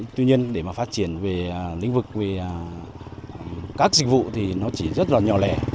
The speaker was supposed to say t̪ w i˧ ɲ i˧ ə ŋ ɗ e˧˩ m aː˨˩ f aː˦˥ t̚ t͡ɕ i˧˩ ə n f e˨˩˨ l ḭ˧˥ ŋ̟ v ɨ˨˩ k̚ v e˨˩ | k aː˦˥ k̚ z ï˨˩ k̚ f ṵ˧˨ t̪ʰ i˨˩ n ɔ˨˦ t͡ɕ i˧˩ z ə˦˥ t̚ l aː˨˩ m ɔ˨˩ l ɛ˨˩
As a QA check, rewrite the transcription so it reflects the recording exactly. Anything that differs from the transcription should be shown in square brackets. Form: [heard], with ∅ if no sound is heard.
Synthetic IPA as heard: t̪ w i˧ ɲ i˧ ə [n] ɗ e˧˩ m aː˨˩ f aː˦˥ t̚ t͡ɕ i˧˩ ə n [v] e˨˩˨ l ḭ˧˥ ŋ̟ v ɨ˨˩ k̚ v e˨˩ | k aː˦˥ k̚ z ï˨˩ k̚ [v] ṵ˧˨ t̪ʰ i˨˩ n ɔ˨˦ t͡ɕ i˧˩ z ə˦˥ t̚ l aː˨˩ [ɲ] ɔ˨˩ l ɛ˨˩